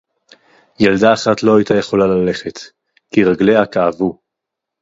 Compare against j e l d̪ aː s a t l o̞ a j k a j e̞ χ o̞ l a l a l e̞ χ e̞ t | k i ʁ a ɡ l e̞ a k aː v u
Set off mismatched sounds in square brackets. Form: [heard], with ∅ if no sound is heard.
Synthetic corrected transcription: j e l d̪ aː [χ] a t l o̞ a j [t] a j e̞ χ o̞ l a l a l e̞ χ e̞ t | k i ʁ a ɡ l e̞ a k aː v u